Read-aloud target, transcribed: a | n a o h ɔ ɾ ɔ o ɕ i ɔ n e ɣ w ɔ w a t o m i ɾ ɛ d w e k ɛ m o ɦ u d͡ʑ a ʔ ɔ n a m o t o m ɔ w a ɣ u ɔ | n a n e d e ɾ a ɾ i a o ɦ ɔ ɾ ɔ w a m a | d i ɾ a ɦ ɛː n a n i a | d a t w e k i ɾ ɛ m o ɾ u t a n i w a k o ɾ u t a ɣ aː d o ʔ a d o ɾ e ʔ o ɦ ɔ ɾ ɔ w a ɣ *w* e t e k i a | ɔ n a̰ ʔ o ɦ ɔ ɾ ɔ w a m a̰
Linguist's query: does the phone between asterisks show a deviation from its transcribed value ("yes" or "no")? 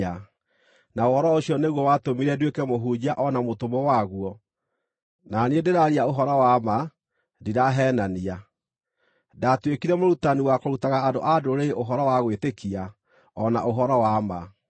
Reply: no